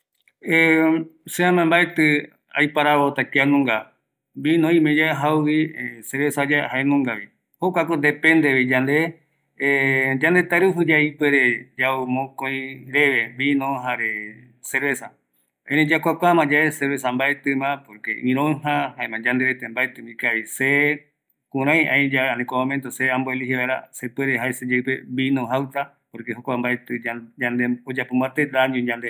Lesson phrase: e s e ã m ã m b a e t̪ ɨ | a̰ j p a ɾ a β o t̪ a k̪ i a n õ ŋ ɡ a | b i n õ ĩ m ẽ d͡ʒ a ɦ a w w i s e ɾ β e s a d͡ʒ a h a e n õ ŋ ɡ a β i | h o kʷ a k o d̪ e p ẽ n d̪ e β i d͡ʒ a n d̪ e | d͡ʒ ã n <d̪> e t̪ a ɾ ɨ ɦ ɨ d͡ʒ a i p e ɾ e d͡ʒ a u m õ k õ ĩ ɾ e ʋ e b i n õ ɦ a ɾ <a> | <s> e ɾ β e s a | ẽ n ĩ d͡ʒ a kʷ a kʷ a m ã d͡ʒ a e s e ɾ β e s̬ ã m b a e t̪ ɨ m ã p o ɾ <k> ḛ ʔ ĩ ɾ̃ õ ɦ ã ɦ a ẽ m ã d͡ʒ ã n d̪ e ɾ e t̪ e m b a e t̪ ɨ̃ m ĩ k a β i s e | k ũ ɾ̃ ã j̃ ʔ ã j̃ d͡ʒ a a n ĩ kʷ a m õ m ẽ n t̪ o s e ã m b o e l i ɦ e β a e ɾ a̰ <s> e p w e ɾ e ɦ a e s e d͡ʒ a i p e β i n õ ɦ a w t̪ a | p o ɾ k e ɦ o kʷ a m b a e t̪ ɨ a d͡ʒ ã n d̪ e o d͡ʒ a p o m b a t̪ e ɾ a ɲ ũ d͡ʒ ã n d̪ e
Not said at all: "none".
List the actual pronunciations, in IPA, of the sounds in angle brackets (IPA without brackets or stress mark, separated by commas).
d̪, e, s, k, s